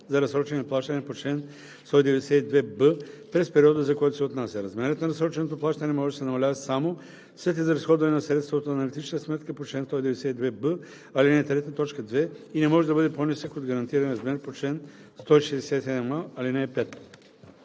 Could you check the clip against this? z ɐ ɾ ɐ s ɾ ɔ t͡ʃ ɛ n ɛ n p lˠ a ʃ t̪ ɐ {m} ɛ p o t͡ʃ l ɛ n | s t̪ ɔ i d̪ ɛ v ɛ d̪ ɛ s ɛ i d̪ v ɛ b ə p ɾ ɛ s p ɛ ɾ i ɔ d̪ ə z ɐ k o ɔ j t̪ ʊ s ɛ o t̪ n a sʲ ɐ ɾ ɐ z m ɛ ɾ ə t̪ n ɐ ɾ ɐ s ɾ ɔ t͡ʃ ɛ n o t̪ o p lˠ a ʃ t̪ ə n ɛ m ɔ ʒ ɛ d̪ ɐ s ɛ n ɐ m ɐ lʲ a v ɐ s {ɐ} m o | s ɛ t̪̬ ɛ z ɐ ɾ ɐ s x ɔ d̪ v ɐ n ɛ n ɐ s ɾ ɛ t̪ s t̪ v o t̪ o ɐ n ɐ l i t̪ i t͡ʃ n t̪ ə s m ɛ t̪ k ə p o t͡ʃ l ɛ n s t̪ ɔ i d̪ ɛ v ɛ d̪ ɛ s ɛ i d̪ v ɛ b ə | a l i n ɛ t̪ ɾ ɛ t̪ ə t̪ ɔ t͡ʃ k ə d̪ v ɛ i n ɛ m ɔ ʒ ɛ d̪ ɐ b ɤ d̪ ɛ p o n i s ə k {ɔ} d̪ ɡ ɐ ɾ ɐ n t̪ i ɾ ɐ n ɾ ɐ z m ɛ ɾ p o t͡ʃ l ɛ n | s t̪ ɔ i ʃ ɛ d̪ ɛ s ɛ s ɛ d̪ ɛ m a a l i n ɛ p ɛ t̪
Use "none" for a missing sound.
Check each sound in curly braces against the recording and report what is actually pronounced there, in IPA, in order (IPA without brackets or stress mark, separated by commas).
n, a, o